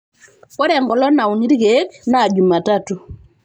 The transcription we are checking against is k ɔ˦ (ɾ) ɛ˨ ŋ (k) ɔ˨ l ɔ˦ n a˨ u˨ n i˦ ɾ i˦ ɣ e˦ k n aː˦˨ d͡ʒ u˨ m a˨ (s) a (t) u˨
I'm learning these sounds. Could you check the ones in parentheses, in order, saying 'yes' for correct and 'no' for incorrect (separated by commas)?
yes, no, no, yes